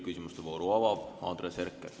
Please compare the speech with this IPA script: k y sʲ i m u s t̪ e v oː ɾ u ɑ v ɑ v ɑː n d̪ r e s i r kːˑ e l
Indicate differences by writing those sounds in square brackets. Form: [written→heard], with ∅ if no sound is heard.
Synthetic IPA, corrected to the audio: k y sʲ i m u s t̪ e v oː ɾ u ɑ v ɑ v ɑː n d̪ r e s [i→e] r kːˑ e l

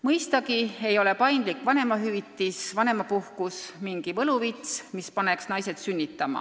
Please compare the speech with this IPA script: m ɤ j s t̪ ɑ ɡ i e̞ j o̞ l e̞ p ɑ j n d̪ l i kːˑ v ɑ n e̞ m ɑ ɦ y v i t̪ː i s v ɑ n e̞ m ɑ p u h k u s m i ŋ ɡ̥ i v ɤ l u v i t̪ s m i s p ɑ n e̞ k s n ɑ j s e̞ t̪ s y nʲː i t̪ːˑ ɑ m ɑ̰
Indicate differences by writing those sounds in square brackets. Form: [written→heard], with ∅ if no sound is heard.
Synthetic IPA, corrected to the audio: m ɤ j s t̪ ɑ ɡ i e̞ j o̞ l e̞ p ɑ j n d̪ l i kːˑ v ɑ n e̞ m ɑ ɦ y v i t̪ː i s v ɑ n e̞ m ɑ p u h k u s m i ŋ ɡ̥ i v ɤ l u v i t̪ s m i s p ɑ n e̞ k s n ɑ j s e̞ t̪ s y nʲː i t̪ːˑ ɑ m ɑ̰

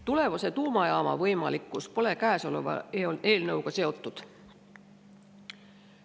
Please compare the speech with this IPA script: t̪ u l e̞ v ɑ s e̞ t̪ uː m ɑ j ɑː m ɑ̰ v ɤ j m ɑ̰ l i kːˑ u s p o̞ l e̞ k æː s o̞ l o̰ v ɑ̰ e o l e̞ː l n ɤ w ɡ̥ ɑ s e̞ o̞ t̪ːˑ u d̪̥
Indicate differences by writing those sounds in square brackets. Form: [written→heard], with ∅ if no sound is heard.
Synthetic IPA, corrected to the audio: t̪ u l e̞ v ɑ s e̞ t̪ uː m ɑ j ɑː m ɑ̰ v ɤ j m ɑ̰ l i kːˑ u s p o̞ l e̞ k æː s o̞ l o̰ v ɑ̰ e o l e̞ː l n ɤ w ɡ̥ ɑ s e̞ o̞ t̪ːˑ u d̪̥

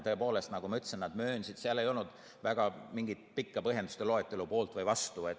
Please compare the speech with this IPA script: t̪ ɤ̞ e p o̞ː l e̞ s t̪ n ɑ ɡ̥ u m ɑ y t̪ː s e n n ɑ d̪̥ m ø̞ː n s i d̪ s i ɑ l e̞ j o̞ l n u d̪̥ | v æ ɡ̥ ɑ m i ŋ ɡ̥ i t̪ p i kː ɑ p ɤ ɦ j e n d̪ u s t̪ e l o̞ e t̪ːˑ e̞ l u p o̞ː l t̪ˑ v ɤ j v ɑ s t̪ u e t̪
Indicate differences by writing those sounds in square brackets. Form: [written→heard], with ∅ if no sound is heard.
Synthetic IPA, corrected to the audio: t̪ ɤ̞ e p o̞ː l e̞ s t̪ n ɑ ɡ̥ u m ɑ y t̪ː s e n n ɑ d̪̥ m ø̞ː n s i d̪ s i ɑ l e̞ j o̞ l n u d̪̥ | v æ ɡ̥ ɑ m i ŋ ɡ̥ i t̪ p i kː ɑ p ɤ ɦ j e n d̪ u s t̪ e l o̞ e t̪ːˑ e̞ l u p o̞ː l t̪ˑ v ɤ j v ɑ s t̪ u e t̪

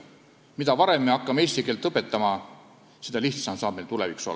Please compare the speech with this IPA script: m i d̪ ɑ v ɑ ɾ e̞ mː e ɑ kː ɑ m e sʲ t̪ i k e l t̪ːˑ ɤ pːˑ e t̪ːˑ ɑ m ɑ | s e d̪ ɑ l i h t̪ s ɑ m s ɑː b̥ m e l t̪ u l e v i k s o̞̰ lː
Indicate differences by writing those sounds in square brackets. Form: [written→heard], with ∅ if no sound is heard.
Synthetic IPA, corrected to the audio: m i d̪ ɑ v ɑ ɾ e̞ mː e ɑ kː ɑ m e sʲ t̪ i k e l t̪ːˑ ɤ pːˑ e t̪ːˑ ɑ m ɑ | s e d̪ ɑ l i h t̪ s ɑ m s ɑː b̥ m e l t̪ u l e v i k s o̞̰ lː

